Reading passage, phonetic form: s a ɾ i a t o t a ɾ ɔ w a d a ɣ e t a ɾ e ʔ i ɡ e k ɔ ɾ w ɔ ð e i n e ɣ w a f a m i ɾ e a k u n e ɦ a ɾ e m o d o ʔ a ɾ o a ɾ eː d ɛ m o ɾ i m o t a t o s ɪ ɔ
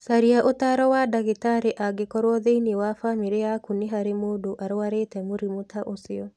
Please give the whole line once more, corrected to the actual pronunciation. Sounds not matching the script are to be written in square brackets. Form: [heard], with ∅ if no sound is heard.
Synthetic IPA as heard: s a ɾ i a [ʔ] o t a ɾ ɔ w a d a ɣ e t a ɾ e ʔ [a] ɡ e k ɔ ɾ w ɔ ð e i n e [∅] w a f a m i ɾ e a k u n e ɦ a ɾ e m o d o ʔ a ɾ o a ɾ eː [t] ɛ m o ɾ i m o t a [ʔ] o s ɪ ɔ